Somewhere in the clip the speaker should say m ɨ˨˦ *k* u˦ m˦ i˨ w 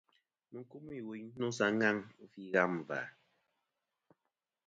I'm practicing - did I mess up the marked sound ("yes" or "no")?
no